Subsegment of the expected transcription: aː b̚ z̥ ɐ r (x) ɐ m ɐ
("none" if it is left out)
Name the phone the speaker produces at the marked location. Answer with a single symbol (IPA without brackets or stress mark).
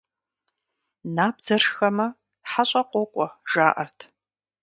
x